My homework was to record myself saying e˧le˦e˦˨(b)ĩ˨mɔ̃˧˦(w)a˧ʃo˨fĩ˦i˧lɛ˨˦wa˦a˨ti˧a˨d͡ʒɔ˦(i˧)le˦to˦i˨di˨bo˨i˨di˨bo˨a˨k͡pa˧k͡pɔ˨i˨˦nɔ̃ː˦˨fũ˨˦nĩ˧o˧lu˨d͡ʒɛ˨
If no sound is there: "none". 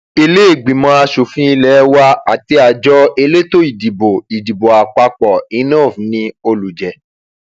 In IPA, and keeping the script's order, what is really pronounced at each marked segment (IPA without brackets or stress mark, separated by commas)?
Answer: ɡ͡b, none, e˧